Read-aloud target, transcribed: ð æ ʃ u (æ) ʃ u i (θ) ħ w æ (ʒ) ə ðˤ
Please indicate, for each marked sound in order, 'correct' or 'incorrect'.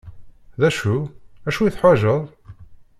correct, correct, correct

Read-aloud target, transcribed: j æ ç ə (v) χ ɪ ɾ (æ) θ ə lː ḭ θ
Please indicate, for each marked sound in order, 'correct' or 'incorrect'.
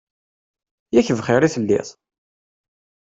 correct, incorrect: i

